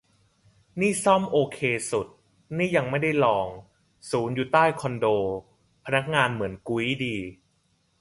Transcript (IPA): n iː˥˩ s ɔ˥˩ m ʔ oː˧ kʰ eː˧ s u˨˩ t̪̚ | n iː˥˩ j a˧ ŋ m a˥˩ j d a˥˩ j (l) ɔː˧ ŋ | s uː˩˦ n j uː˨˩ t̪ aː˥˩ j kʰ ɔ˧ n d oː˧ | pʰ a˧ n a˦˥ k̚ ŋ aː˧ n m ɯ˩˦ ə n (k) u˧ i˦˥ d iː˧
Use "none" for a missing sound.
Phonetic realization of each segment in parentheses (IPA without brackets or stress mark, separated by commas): l, k